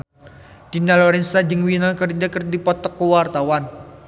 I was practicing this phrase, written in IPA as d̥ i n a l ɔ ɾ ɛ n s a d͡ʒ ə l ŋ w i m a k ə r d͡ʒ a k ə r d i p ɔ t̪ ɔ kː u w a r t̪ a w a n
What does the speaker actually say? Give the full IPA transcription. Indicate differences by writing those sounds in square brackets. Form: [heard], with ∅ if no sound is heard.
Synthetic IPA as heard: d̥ i n a l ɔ ɾ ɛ n s a d͡ʒ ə [∅] ŋ w i [n] a k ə r d͡ʒ a k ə r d i p ɔ t̪ ɔ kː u w a r t̪ a w a n